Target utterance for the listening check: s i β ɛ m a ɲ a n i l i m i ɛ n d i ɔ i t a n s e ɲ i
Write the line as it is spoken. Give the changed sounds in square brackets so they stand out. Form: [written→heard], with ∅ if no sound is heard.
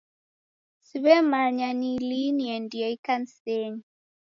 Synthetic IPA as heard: s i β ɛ m a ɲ a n i l i [m→n] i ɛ n d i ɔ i [t→k] a n s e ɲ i